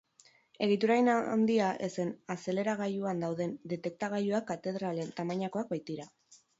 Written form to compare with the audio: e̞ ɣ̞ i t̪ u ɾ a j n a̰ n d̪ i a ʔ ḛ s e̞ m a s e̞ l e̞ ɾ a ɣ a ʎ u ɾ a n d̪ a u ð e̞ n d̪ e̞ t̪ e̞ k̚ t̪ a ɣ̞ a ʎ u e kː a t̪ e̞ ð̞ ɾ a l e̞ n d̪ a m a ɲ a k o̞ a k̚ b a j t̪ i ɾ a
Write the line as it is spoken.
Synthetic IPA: e̞ ɣ̞ i t̪ u ɾ a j n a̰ n d̪ i a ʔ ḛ s e̞ n a s e̞ l e̞ ɾ a ɣ a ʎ u a n d̪ a w ð e̞ n d̪ e̞ t̪ e̞ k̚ t̪ a ɣ̞ a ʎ u a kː a t̪ e̞ ð̞ ɾ a l e̞ n t̪ a m a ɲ a k o̞ a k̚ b a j t̪ i ɾ a